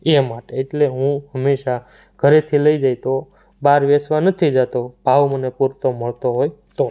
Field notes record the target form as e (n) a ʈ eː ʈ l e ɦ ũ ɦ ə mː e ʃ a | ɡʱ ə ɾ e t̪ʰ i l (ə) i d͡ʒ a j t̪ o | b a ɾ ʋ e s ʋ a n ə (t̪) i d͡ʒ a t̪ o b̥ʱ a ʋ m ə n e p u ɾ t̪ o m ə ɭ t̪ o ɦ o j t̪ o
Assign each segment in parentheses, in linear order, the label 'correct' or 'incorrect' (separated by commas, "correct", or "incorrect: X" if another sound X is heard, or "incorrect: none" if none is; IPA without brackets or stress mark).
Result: incorrect: m, correct, incorrect: t̪ʰ